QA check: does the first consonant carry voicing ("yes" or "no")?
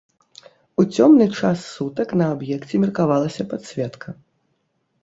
no